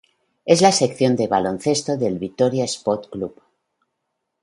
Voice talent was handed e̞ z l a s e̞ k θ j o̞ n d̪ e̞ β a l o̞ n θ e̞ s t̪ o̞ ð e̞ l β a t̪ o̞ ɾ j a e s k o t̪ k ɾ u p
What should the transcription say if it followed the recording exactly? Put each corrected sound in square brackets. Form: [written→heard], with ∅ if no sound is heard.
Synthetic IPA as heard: e̞ z l a s e̞ k θ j o̞ n d̪ e̞ β a l o̞ n θ e̞ s t̪ o̞ ð e̞ l β [a→i] t̪ o̞ ɾ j a e s [k→p] o t̪ k [ɾ→l] u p